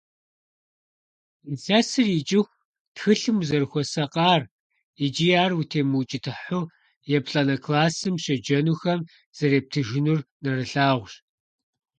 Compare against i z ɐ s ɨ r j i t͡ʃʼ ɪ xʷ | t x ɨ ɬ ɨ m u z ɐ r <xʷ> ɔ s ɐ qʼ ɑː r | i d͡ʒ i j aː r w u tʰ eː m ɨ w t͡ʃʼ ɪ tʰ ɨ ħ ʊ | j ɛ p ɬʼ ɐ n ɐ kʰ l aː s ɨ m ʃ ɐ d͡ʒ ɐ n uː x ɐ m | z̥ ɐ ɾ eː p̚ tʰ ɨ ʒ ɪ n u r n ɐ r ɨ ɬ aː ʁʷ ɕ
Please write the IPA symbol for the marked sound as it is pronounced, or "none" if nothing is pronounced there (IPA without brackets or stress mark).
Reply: xʷ